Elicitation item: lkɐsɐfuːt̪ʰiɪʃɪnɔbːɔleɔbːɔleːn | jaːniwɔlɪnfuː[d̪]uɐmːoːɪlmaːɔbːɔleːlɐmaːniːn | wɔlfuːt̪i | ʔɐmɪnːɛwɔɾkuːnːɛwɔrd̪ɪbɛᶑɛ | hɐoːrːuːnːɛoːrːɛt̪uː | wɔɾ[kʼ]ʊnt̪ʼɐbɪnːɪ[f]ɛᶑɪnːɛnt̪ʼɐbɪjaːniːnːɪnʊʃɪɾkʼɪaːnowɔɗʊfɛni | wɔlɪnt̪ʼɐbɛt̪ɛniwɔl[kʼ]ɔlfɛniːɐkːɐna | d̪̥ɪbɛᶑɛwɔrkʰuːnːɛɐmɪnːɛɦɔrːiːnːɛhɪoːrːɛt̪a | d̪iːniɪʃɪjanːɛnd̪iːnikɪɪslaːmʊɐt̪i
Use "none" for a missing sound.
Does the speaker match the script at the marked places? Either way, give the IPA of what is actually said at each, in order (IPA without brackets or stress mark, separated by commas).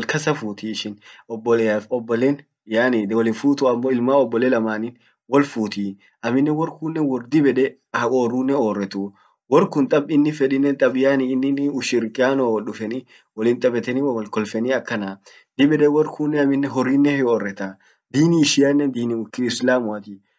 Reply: t̪, k, f, k